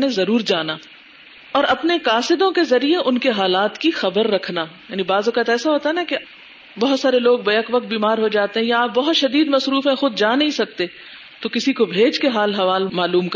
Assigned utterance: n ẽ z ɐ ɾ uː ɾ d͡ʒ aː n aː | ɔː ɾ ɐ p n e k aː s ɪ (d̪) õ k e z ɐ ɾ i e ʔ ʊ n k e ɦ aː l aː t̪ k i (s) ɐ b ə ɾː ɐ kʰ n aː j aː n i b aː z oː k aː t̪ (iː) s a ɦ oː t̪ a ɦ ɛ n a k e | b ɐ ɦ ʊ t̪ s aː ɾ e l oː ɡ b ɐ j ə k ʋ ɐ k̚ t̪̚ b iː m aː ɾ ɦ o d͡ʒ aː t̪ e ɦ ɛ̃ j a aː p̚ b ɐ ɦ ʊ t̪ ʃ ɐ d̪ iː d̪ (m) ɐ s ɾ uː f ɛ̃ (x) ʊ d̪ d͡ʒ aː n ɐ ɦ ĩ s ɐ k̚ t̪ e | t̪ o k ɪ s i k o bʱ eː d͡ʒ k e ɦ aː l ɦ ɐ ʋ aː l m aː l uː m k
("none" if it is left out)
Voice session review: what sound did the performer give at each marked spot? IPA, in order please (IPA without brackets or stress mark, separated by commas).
d̪, x, ɛː, m, x